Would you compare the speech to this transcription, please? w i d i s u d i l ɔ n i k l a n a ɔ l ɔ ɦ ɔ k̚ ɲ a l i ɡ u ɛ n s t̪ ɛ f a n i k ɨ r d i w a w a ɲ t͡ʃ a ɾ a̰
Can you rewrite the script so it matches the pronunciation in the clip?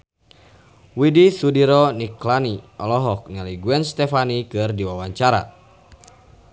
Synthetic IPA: w i d i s u d i ɾ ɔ n i k l a n i ɔ l ɔ ɦ ɔ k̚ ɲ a l i ɡ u ɛ n s t̪ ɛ f a n i k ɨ r d i w a w a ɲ t͡ʃ a ɾ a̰